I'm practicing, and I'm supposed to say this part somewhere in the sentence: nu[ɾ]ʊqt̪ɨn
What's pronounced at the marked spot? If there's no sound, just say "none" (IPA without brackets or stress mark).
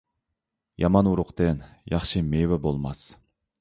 ɾ